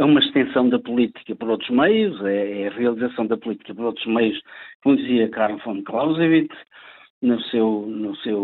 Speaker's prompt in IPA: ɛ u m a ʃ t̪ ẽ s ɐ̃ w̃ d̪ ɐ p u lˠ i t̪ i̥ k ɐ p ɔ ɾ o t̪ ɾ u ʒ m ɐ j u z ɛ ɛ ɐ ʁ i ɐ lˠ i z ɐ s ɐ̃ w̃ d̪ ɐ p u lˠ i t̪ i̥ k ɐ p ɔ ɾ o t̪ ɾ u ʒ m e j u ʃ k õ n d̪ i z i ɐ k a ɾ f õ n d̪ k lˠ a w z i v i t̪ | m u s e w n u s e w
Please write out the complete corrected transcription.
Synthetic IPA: ɛ u m ɐ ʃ t̪ ẽ s ɐ̃ w̃ d̪ ɐ p u lˠ i t̪ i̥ k ɐ p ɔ ɾ o t̪ ɾ u ʒ m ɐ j u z ɛ ɛ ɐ ʁ i ɐ lˠ i z ɐ s ɐ̃ w̃ d̪ ɐ p u lˠ i t̪ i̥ k ɐ p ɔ ɾ o t̪ ɾ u ʒ m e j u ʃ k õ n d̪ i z i ɐ k a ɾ f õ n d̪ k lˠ a w z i v i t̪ | n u s e w n u s e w